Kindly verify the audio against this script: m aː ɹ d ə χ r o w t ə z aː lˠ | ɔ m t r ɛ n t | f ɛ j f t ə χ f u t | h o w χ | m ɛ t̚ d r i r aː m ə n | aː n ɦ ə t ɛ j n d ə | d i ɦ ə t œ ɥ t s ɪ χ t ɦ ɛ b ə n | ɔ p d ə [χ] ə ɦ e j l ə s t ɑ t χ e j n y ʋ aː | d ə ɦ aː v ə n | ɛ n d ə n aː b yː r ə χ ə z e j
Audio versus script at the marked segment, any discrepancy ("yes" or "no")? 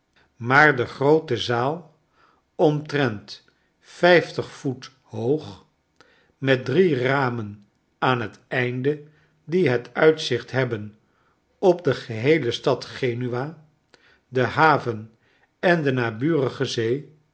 no